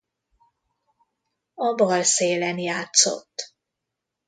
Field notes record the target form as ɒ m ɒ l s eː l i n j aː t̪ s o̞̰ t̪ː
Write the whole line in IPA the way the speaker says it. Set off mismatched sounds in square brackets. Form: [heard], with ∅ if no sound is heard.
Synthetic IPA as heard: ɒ [b] ɒ l s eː l [ɛ] n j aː t̪ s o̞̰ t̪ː